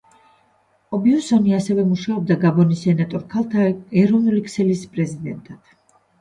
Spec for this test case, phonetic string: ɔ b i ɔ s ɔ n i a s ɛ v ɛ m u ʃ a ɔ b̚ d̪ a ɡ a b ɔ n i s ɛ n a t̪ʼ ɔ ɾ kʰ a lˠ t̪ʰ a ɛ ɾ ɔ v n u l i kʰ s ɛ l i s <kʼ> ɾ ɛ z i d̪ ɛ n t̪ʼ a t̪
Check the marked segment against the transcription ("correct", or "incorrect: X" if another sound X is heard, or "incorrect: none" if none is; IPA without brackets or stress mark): incorrect: pʼ